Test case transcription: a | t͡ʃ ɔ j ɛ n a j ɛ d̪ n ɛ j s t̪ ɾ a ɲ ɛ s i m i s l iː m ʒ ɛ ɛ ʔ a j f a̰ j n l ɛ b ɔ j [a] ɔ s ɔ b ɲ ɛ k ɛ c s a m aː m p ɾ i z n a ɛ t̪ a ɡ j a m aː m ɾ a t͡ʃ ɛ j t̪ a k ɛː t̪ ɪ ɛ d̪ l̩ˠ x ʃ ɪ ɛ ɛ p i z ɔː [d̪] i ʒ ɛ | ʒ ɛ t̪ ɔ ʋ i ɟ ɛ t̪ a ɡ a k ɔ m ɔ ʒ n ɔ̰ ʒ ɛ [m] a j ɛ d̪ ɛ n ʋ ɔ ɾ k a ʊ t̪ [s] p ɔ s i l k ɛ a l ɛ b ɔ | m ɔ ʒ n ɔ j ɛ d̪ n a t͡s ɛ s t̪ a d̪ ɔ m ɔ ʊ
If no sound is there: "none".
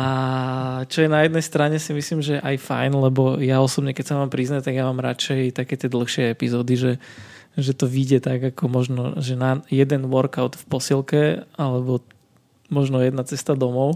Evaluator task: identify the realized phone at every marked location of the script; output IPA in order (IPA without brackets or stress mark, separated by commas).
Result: a, d̪, n, f